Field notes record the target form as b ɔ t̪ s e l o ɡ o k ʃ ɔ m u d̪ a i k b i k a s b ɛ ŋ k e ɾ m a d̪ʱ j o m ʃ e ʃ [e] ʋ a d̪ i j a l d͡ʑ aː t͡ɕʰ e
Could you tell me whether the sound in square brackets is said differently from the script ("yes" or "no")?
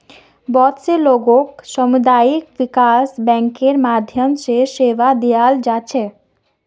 no